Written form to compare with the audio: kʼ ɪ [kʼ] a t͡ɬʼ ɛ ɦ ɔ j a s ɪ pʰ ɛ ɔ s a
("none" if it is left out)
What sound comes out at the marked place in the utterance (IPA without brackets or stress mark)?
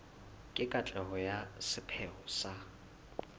kʼ